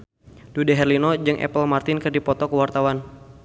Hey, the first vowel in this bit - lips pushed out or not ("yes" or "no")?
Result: yes